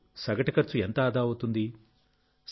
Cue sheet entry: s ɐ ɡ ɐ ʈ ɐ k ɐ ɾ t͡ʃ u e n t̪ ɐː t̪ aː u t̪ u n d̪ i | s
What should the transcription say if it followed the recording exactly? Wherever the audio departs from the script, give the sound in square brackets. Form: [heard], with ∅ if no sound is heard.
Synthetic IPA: s ɐ ɡ ɐ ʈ ɐ k ɐ ɾ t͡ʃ u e n t̪ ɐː [d̪] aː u t̪ u n d̪ i | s